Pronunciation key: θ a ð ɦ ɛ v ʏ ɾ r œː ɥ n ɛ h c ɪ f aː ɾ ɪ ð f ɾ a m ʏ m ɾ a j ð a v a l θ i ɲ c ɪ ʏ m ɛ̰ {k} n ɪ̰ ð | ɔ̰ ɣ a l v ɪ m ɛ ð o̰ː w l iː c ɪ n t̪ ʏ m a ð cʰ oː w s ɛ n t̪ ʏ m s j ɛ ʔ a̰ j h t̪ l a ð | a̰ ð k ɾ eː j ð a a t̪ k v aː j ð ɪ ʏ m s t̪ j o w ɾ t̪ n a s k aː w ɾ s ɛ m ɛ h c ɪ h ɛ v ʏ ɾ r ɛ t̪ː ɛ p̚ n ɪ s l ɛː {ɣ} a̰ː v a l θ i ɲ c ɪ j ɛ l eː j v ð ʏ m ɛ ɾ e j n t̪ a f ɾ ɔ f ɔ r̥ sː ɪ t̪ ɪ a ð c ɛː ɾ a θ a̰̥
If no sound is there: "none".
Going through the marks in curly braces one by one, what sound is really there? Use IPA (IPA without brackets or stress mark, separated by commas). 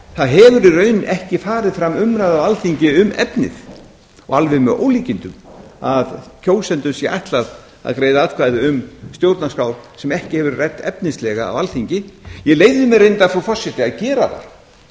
p, ɣ